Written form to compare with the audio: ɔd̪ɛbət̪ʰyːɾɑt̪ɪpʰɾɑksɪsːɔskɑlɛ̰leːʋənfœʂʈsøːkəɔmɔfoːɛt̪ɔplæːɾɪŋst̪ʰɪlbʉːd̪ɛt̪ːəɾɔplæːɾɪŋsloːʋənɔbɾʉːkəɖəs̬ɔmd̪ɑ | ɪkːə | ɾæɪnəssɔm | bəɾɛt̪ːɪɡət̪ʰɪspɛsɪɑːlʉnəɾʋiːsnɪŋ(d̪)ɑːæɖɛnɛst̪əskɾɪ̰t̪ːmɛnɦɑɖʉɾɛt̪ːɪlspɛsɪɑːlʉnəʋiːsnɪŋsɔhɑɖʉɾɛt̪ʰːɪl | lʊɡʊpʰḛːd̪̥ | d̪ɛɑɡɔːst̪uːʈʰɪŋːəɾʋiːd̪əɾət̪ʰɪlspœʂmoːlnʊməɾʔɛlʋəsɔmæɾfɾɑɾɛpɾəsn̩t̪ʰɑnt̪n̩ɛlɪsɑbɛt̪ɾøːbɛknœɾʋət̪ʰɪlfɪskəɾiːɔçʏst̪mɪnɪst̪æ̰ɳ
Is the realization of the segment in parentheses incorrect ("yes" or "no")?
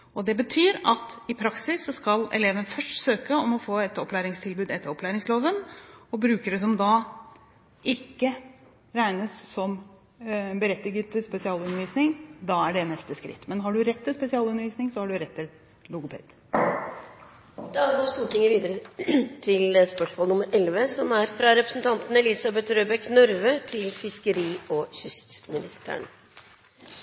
no